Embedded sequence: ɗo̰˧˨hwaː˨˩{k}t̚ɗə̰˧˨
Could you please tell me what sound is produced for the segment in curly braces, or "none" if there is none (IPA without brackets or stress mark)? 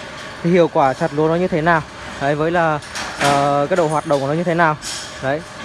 none